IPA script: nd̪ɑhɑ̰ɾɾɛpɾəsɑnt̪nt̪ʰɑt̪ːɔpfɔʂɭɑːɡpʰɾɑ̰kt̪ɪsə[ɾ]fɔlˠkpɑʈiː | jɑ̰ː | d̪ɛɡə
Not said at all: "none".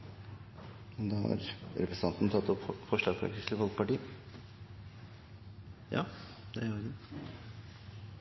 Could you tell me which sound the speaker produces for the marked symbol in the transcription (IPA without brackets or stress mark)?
none